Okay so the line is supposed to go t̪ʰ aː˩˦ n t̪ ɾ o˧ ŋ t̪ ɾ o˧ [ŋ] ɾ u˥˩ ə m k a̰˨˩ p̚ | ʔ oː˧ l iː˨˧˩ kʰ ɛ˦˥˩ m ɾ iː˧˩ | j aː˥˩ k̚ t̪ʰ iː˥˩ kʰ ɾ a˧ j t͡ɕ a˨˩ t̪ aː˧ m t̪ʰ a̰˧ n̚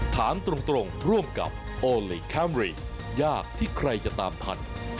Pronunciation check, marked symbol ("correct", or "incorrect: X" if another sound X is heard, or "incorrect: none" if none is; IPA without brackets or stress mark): correct